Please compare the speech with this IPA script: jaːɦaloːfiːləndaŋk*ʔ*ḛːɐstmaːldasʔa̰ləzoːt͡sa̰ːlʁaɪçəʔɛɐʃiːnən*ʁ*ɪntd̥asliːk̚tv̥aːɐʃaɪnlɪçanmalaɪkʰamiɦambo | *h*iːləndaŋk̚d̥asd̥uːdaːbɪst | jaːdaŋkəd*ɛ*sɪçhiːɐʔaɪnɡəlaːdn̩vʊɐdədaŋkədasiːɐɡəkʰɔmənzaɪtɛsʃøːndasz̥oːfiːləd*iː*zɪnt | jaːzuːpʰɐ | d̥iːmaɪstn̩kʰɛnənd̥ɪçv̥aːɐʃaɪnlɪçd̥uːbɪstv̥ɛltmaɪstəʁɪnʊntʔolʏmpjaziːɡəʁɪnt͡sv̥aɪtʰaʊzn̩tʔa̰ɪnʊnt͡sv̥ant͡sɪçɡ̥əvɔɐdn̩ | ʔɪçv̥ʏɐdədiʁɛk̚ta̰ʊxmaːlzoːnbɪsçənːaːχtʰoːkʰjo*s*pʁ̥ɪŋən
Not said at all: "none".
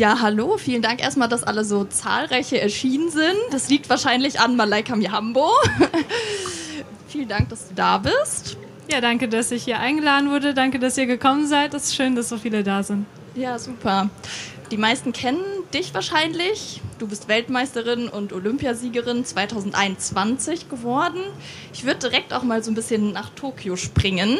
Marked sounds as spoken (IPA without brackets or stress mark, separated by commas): ʔ, z, f, a, aː, ʃ